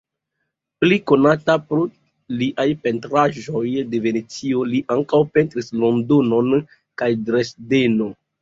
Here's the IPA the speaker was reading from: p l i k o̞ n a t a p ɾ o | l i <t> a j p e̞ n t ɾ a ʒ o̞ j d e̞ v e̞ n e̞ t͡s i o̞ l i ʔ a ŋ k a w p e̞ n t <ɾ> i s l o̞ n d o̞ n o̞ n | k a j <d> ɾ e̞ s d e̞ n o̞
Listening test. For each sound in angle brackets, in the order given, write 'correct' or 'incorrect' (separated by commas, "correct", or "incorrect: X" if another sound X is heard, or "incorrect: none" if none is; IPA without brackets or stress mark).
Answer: incorrect: ʔ, correct, correct